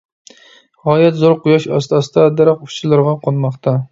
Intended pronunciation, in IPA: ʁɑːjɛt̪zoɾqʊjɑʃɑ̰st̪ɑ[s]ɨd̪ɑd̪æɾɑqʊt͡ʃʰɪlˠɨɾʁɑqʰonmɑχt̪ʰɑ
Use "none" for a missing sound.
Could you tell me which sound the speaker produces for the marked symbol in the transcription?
s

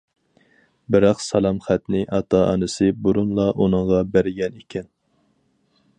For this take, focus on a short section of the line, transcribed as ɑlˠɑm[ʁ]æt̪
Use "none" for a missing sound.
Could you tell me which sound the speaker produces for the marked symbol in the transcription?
χ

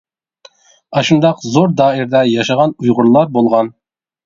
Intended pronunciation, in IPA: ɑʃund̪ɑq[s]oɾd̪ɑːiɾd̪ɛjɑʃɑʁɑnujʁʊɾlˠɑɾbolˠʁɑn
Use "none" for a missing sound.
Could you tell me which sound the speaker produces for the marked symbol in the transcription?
z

